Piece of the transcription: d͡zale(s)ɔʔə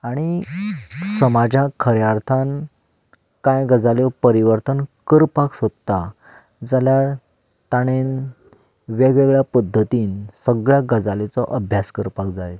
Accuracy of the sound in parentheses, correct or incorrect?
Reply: incorrect